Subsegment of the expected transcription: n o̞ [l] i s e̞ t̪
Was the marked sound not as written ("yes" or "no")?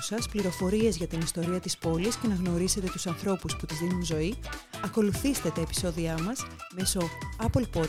yes